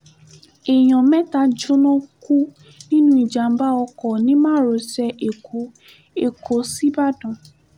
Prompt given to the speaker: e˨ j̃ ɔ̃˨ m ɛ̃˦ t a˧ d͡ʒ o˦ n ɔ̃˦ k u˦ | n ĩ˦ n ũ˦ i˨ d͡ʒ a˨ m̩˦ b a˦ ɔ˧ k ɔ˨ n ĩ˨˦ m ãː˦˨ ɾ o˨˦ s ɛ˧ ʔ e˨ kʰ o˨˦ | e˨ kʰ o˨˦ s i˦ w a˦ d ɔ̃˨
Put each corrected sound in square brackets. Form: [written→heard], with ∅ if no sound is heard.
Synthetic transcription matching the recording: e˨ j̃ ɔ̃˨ m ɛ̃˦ t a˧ d͡ʒ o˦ n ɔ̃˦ k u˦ | n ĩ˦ n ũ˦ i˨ d͡ʒ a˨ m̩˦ b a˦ ɔ˧ k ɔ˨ n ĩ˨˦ m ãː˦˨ ɾ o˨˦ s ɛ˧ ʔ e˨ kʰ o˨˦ | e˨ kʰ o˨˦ s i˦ [w→b] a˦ d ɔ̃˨

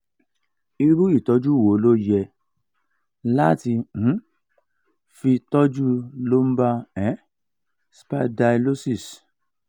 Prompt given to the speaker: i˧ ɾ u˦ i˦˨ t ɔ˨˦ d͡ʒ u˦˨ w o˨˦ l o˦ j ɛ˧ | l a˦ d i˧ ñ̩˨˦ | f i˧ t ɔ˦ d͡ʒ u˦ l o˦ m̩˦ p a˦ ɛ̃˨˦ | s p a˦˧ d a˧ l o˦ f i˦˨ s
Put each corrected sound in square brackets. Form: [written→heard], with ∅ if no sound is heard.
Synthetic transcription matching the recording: i˧ ɾ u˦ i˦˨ t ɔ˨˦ d͡ʒ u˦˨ w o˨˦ l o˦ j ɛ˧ | l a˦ [d→t] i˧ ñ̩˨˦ | f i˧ t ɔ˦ d͡ʒ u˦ l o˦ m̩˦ [p→b] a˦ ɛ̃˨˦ | s p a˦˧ d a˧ l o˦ [f→s] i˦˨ s

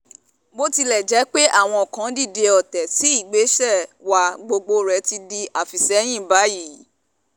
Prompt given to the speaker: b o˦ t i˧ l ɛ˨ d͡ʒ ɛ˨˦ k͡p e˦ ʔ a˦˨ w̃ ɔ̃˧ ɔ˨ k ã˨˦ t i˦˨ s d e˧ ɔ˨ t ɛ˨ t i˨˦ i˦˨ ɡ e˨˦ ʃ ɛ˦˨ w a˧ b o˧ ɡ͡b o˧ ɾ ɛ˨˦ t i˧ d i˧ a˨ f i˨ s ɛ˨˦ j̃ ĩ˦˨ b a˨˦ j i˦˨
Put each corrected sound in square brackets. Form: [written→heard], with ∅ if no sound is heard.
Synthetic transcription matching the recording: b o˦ t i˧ l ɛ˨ d͡ʒ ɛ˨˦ k͡p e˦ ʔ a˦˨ w̃ ɔ̃˧ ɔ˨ k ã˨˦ [t→d] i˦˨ [s→∅] d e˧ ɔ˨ t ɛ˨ t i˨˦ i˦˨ [ɡ→ɡ͡b] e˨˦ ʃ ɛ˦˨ w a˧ [b→ɡ͡b] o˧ ɡ͡b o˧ ɾ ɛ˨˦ t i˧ d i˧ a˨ f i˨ s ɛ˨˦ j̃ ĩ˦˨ b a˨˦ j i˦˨

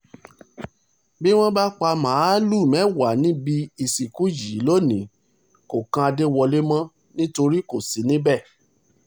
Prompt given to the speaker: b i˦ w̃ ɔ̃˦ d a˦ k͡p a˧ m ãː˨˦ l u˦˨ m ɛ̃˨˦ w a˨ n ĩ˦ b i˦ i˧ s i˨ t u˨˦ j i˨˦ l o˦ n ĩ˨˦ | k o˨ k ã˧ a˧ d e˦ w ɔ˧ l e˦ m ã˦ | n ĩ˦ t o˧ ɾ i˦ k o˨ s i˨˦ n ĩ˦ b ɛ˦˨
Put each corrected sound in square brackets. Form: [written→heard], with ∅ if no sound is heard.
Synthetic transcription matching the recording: b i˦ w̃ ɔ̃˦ [d→b] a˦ k͡p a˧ m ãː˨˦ l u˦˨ m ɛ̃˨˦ w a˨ n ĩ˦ b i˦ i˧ s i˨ [t→k] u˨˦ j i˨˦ l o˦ n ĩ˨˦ | k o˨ k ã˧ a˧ d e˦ w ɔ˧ l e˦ m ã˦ | n ĩ˦ t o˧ ɾ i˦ k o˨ s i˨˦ n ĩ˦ b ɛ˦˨

